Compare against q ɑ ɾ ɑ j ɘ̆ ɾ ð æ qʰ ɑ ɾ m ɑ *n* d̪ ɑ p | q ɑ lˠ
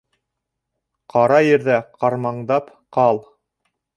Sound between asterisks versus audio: incorrect: ɴ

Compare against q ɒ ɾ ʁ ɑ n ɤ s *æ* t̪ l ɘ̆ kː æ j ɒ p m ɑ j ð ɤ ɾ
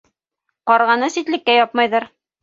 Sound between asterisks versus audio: incorrect: i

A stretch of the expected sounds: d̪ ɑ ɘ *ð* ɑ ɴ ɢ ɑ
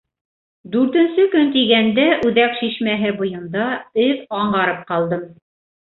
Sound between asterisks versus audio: correct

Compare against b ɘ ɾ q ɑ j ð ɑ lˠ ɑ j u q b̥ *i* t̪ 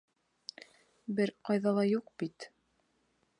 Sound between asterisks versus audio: correct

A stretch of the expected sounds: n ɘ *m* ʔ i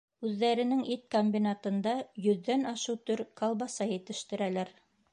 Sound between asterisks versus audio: incorrect: ŋ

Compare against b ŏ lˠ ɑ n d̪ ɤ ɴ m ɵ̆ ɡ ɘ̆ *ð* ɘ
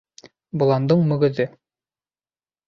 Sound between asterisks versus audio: correct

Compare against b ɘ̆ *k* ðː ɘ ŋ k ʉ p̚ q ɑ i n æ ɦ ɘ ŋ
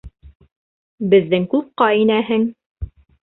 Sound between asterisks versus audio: incorrect: none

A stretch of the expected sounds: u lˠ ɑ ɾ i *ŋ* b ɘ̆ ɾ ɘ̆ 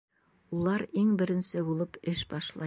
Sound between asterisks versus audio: correct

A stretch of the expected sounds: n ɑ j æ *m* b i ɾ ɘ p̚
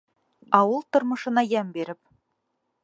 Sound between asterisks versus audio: correct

